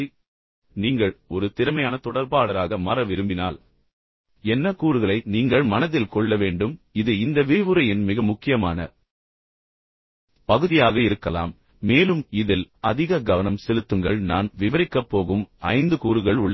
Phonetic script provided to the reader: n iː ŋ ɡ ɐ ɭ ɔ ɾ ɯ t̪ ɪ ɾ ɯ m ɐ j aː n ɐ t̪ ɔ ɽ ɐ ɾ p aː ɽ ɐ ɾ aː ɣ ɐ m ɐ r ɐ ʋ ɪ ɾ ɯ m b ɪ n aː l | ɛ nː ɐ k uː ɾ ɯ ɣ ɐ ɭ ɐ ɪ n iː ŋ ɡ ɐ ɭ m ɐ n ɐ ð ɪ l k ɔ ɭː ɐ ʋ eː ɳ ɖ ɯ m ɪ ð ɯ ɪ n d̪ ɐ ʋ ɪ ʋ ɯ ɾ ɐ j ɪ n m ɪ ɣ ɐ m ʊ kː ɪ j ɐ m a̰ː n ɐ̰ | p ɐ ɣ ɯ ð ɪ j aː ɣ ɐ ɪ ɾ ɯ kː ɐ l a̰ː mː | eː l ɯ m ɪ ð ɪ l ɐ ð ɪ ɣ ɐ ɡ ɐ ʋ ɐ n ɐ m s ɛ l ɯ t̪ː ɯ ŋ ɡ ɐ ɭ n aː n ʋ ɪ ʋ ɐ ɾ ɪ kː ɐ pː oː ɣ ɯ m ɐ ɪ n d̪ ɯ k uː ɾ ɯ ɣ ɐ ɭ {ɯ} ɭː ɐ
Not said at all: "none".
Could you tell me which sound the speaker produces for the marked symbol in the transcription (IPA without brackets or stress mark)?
ʊ